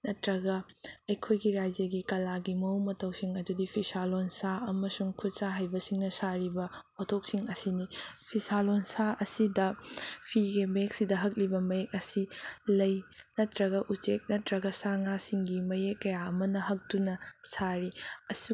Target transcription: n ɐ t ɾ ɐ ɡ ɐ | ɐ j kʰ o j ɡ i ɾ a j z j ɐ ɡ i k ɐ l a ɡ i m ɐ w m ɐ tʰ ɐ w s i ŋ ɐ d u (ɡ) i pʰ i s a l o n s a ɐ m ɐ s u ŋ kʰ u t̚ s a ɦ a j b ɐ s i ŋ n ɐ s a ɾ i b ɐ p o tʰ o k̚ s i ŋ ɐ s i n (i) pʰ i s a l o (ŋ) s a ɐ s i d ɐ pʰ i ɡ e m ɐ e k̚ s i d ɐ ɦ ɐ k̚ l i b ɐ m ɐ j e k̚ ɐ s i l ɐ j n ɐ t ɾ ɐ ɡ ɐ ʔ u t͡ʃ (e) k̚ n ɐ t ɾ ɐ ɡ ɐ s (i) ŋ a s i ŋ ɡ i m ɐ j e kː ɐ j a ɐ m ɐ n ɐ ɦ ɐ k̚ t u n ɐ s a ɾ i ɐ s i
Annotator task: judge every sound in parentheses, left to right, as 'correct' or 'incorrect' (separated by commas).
incorrect, correct, incorrect, correct, incorrect